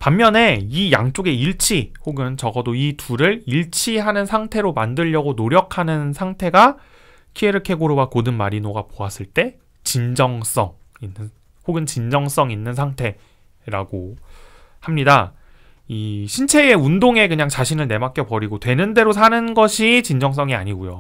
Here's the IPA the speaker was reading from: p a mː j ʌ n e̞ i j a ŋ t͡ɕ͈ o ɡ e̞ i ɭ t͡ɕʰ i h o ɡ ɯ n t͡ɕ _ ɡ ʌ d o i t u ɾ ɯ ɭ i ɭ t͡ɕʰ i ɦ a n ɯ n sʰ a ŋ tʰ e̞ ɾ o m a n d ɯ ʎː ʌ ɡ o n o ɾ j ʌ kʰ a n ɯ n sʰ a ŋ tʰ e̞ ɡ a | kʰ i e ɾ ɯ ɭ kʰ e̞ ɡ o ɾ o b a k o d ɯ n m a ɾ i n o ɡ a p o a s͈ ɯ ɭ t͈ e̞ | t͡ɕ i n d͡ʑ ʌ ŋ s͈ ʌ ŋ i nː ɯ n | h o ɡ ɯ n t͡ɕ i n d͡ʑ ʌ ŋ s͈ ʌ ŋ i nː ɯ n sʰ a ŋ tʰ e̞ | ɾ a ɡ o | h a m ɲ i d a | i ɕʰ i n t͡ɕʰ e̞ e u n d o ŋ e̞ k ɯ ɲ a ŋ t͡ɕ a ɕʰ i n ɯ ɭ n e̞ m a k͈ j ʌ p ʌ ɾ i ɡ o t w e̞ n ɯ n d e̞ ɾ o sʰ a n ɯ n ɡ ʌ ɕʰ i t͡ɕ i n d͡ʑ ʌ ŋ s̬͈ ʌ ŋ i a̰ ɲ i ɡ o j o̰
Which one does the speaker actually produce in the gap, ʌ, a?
ʌ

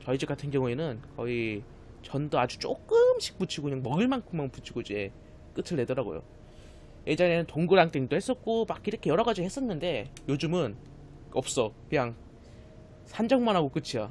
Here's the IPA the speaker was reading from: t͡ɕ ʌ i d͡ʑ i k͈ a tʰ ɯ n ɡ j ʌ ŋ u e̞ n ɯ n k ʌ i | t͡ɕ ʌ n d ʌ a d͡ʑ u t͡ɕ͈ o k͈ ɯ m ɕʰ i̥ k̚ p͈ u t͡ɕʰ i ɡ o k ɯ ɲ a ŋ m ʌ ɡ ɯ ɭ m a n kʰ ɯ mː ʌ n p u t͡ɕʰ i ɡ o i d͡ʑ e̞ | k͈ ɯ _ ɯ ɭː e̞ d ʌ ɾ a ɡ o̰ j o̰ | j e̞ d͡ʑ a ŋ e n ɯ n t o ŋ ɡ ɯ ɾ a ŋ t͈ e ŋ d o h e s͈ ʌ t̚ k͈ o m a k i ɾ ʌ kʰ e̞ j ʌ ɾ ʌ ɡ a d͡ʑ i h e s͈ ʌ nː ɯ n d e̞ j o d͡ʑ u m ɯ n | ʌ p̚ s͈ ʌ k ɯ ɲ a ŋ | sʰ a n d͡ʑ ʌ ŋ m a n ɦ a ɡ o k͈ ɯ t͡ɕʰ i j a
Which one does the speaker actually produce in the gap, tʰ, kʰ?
tʰ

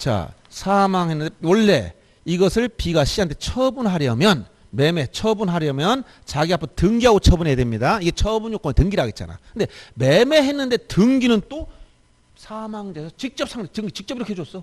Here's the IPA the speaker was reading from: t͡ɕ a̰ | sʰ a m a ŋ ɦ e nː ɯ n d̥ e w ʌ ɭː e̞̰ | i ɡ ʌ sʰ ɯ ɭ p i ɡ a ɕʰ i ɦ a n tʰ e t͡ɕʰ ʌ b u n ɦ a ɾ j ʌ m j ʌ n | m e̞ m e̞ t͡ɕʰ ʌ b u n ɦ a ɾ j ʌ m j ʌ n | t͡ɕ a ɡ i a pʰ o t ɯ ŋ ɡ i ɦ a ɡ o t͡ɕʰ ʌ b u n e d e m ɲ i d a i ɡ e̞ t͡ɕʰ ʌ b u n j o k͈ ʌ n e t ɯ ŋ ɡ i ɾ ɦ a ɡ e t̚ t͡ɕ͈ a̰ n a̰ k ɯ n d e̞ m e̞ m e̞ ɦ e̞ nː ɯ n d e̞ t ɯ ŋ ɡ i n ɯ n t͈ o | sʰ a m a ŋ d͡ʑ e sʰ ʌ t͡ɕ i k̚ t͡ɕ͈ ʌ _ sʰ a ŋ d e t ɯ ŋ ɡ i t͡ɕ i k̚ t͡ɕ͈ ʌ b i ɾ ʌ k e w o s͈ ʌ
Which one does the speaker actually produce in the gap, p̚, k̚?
p̚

